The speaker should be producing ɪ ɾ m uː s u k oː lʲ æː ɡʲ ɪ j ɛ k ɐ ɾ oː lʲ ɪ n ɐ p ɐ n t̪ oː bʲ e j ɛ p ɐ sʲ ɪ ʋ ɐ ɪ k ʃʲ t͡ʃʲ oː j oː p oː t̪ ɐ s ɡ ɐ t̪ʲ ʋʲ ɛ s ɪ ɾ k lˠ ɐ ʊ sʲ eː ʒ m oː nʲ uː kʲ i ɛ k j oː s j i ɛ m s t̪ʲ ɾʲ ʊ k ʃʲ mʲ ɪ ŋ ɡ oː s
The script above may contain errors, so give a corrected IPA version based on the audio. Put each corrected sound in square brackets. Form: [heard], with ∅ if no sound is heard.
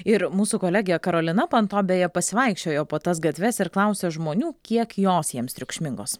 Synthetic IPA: ɪ ɾ m uː s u k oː lʲ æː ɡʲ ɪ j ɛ k ɐ ɾ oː lʲ ɪ n ɐ p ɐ n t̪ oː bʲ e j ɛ p ɐ sʲ ɪ ʋ ɐ ɪ k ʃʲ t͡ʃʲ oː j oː p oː t̪ ɐ s ɡ ɐ t̪ʲ ʋʲ ɛ s ɪ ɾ k lˠ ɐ ʊ sʲ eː ʒ m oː nʲ uː kʲ i ɛ k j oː s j i ɛ m s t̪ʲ ɾʲ ʊ k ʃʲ mʲ ɪ ŋ ɡ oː s